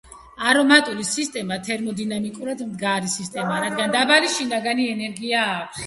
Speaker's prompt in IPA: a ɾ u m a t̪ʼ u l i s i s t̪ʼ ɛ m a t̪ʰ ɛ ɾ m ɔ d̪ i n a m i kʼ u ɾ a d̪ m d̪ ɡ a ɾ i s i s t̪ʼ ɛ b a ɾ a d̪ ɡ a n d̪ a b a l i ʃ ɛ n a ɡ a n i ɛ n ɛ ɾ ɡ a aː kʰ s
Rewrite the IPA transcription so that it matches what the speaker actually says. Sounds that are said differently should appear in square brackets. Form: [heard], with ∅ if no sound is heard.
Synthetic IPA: a ɾ [ɔ] m a t̪ʼ u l i s i s t̪ʼ ɛ m a t̪ʰ ɛ ɾ m ɔ d̪ i n a m i kʼ u ɾ a d̪ m d̪ ɡ a ɾ i s i s t̪ʼ ɛ [m] a ɾ a d̪ ɡ a n d̪ a b a l i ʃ [i] n a ɡ a n i ɛ n ɛ ɾ ɡ [i] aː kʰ s